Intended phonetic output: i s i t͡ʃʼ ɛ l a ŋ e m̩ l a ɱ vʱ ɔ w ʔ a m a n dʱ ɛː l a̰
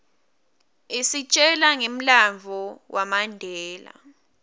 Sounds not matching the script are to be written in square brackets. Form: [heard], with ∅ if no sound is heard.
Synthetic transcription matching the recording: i s i t͡ʃʼ ɛ l a ŋ e m̩ l a ɱ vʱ ɔ w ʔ a m a n dʱ ɛː l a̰